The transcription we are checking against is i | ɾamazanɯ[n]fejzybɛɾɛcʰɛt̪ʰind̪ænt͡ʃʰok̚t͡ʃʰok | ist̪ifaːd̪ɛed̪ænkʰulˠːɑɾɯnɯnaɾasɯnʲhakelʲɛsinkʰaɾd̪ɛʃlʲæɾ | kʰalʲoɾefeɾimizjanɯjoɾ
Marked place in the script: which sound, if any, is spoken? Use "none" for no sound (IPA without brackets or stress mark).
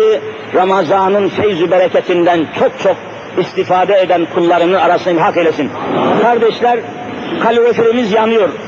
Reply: n